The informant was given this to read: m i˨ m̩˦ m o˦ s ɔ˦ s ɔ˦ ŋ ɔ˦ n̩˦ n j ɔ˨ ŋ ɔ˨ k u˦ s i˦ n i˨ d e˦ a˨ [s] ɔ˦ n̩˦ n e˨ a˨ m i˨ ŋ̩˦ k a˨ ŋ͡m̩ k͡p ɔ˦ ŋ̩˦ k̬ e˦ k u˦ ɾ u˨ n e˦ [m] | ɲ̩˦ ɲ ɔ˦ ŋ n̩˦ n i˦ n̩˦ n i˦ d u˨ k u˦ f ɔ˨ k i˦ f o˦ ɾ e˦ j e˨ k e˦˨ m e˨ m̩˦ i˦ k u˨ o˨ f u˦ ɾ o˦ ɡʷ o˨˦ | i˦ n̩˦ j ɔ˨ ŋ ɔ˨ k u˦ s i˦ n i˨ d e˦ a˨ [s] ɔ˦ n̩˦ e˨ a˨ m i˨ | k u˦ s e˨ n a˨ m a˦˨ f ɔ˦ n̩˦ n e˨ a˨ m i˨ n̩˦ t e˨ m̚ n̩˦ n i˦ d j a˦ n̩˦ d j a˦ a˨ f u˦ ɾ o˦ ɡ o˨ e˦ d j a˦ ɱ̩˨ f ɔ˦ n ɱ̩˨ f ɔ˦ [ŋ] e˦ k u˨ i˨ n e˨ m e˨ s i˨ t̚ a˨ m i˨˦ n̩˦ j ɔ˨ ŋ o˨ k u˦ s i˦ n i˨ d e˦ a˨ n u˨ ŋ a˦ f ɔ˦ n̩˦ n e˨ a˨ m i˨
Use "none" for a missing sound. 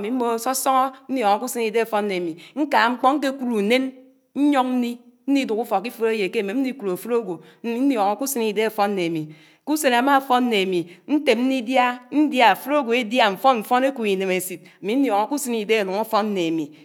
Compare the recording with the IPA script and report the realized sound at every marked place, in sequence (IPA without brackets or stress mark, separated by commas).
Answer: f, n, f, n